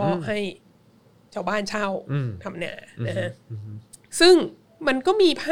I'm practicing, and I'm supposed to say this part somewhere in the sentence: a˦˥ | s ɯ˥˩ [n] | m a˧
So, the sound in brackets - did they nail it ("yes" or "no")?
no